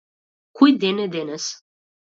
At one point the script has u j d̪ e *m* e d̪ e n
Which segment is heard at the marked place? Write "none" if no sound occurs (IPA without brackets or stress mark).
n